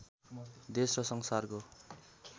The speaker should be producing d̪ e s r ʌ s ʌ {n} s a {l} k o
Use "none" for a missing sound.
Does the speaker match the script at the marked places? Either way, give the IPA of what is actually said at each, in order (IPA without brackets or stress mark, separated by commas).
ŋ, r